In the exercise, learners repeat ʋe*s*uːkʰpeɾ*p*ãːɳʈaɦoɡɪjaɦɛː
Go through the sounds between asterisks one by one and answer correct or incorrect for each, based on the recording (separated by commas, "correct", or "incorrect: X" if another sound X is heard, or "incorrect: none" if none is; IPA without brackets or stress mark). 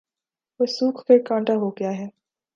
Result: correct, incorrect: k